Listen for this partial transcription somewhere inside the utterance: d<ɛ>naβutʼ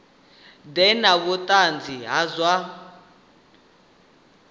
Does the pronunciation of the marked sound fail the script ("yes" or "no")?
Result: no